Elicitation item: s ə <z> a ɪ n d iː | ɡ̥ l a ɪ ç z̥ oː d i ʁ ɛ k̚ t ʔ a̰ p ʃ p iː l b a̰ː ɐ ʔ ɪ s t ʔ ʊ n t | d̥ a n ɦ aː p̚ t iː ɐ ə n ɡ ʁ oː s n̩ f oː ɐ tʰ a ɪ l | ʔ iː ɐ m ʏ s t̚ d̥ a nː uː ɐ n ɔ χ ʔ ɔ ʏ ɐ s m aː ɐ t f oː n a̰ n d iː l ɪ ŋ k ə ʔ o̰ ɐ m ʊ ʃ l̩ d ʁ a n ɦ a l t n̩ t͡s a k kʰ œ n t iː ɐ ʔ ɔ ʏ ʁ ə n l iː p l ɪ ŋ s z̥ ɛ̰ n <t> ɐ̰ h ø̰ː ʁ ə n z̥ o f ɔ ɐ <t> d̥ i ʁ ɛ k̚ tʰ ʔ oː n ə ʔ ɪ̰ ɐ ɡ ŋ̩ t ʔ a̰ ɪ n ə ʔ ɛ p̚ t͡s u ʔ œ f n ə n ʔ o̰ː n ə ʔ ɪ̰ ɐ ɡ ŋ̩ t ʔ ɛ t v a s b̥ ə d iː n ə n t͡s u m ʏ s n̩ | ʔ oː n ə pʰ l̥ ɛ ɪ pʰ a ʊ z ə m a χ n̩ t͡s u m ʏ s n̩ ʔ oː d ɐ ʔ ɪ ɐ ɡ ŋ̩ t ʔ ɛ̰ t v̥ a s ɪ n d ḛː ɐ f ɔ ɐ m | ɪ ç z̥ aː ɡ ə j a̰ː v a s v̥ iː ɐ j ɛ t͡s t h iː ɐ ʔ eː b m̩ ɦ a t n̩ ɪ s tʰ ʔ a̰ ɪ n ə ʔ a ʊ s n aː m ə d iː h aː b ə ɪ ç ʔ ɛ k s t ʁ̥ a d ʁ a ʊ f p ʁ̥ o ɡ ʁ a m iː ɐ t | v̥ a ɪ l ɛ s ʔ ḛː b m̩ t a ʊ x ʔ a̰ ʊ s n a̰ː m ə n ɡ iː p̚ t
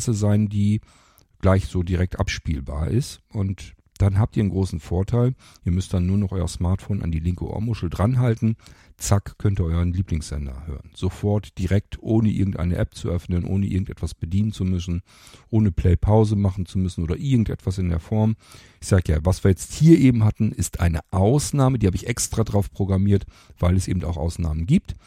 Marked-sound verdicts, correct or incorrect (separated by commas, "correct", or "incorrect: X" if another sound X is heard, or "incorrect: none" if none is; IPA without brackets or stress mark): correct, incorrect: d, correct